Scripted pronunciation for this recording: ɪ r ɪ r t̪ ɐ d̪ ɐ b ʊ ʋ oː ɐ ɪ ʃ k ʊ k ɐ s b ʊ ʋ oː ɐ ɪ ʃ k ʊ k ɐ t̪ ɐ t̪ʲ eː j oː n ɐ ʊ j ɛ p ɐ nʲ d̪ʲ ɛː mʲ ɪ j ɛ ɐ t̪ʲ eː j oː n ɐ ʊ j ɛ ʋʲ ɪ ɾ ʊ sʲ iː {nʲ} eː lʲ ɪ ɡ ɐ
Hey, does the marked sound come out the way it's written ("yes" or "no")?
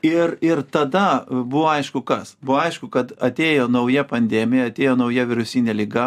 yes